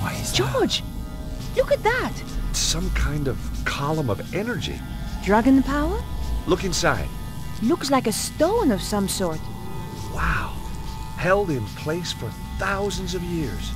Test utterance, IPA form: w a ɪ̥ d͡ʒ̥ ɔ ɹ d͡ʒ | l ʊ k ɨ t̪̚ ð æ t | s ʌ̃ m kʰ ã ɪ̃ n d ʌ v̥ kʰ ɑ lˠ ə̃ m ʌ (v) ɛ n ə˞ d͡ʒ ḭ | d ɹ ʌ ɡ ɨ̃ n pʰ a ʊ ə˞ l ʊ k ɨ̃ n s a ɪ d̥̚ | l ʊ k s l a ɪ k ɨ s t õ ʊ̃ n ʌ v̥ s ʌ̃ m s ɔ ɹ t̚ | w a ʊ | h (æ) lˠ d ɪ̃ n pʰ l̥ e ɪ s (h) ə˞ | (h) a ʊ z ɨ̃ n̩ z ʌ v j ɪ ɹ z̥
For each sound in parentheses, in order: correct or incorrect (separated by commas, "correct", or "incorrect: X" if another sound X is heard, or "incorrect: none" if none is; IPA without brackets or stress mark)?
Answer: correct, incorrect: ɛ, incorrect: f, incorrect: θ